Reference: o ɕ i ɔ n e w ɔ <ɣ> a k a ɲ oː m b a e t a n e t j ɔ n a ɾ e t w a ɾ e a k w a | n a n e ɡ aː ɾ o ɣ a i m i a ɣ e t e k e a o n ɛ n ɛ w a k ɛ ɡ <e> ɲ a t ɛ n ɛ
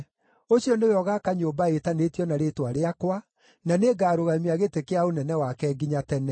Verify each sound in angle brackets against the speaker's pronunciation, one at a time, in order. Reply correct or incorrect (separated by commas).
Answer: correct, incorrect